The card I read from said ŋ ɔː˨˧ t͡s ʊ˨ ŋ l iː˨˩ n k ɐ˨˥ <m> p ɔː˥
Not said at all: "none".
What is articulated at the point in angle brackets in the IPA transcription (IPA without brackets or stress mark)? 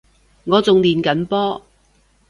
n